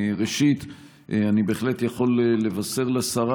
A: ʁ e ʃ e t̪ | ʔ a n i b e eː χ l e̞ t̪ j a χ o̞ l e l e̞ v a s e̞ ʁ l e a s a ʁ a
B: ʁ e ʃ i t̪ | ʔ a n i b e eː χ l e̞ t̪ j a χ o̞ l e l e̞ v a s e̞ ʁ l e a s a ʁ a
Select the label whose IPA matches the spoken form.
B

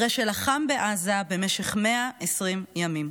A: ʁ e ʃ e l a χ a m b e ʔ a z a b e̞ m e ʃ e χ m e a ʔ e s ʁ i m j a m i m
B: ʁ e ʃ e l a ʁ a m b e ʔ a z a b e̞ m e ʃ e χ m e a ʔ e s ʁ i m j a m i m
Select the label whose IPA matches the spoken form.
A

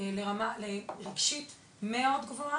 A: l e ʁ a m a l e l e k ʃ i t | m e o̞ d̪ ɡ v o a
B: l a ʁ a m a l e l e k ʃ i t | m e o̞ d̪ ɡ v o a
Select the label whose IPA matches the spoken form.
A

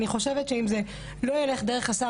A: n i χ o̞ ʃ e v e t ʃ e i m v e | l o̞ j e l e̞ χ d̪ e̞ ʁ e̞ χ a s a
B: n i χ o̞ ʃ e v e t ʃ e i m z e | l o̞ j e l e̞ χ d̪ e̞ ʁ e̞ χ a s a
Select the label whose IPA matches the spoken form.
B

